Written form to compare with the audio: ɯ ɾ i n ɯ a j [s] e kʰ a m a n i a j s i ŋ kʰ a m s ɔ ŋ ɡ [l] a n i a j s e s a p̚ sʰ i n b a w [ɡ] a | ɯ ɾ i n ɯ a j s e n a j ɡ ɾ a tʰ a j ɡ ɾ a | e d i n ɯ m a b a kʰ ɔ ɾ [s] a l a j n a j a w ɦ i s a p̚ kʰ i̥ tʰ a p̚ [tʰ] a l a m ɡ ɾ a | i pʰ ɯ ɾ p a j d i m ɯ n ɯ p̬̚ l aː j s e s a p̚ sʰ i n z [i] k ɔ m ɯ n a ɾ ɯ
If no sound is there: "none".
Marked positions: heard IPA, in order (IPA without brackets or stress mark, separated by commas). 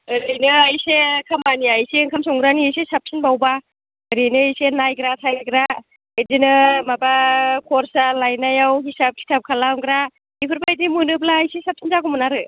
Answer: s, ɾ, b, s, kʰ, a